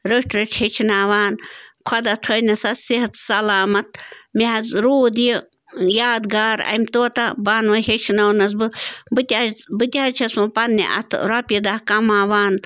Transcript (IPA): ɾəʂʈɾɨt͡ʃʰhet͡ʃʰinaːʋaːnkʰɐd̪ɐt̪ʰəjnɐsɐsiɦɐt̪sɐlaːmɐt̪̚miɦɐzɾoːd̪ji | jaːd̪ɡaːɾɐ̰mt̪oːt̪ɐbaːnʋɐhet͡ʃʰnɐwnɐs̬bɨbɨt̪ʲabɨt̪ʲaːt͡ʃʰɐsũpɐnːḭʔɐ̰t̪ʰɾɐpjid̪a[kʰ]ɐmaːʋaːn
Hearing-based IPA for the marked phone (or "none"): k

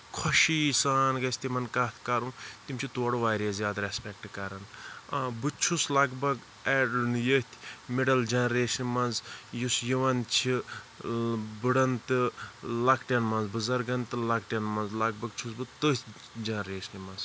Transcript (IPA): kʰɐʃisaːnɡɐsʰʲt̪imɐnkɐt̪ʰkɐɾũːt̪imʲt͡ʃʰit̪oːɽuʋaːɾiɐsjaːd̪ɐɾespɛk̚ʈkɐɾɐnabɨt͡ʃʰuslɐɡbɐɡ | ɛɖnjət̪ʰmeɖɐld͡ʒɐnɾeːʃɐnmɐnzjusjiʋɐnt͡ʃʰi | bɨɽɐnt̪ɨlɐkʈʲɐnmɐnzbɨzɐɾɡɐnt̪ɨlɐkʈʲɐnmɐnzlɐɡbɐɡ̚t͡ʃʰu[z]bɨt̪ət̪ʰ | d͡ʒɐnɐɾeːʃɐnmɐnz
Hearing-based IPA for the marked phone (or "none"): s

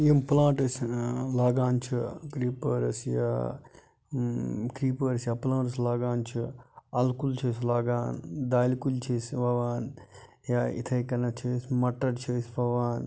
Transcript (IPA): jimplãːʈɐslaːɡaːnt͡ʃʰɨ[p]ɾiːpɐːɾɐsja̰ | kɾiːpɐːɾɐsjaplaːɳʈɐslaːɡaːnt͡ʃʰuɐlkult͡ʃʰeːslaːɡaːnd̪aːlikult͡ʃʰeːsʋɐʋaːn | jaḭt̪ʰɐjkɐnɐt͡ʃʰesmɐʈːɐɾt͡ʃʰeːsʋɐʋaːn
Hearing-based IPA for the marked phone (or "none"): k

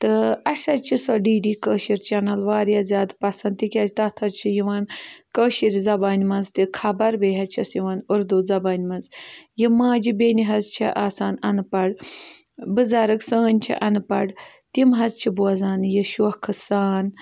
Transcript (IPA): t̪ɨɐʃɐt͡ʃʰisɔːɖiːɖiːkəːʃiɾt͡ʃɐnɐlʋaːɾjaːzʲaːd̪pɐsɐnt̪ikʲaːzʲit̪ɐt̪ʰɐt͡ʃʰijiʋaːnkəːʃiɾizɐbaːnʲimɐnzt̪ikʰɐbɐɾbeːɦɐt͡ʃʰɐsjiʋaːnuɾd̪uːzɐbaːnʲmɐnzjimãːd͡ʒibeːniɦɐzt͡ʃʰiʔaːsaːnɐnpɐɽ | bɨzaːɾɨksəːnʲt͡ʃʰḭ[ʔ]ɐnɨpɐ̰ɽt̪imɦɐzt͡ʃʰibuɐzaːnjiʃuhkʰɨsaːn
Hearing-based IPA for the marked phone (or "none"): ʔ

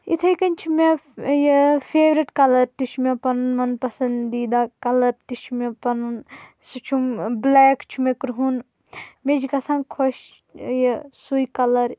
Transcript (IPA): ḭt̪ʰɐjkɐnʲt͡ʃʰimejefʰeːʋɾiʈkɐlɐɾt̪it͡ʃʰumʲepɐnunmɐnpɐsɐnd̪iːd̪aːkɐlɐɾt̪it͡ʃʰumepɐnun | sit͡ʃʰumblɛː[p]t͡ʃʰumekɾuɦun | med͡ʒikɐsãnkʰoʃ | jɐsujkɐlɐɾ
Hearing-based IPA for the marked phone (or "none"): k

